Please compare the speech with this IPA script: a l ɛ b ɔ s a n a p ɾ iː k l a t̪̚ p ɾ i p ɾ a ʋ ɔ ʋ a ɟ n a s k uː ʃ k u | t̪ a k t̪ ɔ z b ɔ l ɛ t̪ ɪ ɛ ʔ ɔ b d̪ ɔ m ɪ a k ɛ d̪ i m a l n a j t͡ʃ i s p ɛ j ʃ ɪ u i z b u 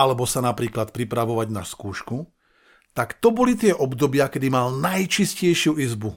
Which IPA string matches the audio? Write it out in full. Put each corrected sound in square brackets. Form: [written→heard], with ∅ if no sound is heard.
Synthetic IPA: a l ɛ b ɔ s a n a p ɾ iː k l a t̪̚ p ɾ i p ɾ a ʋ ɔ ʋ a ɟ n a s k uː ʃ k u | t̪ a k t̪ ɔ [z→∅] b ɔ l [ɛ→i] t̪ ɪ ɛ ʔ ɔ b d̪ ɔ [m→b] ɪ a k ɛ d̪ i m a l n a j t͡ʃ i s [p→c] ɛ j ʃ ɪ u i z b u